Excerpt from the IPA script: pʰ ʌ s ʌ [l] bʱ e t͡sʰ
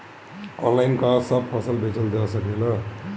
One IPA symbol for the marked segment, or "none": l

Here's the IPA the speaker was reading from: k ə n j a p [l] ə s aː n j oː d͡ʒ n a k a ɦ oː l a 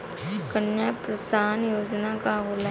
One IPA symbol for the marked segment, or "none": ɾ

